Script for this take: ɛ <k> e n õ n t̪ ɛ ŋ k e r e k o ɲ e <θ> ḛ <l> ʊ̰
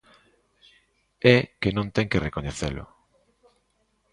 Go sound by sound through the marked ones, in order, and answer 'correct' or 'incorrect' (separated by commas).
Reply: correct, correct, correct